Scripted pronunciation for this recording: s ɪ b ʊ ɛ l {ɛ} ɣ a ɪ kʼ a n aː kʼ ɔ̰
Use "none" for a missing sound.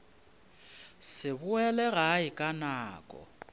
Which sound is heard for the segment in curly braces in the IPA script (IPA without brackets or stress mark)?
ɛ